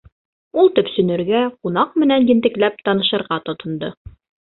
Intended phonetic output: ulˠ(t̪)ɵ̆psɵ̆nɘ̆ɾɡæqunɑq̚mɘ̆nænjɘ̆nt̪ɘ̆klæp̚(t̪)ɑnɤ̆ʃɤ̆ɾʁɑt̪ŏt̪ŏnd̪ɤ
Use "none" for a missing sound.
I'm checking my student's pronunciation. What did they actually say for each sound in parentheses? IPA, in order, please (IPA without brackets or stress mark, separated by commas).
t̪, t̪